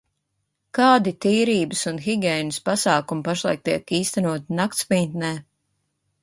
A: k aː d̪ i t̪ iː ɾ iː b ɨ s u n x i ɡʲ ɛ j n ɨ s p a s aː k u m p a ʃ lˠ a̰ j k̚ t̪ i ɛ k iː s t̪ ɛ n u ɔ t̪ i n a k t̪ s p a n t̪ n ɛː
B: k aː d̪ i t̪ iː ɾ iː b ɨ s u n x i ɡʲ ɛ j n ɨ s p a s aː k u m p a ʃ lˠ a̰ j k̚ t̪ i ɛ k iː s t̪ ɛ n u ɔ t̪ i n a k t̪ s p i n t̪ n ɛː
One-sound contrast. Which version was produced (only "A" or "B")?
B